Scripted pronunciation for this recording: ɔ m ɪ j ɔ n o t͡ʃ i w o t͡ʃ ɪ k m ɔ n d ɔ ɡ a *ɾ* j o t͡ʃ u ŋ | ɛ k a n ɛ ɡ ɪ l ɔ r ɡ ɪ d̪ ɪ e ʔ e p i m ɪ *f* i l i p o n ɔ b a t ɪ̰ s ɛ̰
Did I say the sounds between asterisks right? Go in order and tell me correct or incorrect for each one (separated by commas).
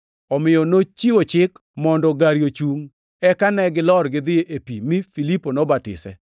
correct, correct